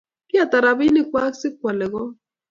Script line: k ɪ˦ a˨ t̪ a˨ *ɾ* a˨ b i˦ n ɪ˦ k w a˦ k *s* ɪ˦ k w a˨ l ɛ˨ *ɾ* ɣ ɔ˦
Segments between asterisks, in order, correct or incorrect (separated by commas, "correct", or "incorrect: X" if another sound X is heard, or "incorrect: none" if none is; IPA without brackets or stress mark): correct, correct, incorrect: none